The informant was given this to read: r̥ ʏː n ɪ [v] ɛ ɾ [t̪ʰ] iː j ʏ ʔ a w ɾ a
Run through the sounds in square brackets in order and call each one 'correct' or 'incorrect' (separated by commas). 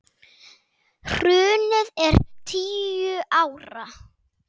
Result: incorrect, correct